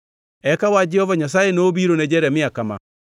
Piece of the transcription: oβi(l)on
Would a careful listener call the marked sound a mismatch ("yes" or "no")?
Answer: yes